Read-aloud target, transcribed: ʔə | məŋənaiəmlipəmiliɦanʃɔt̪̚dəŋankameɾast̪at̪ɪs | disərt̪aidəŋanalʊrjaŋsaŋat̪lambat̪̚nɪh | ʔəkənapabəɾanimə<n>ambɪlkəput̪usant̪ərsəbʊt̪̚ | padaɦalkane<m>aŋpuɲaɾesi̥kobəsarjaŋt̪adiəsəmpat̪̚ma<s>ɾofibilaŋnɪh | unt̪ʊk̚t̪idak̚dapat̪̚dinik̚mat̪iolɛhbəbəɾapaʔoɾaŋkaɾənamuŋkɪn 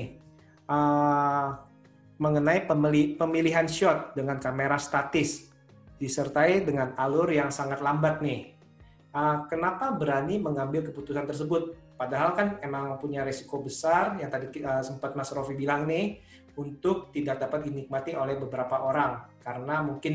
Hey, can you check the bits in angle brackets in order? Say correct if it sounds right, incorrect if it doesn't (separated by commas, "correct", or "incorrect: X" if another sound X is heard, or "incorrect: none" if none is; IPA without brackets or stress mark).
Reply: incorrect: ŋ, correct, correct